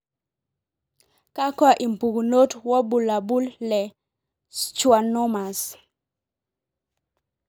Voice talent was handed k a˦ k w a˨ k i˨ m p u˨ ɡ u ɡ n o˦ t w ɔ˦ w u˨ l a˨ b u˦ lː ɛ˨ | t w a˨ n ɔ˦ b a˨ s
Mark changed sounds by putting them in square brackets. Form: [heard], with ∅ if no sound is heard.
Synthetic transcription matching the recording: k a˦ k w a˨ [ʔ] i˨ m p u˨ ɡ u [∅] n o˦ t w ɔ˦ [b] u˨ l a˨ b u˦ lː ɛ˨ | [t͡ʃ] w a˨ n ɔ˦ [m] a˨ s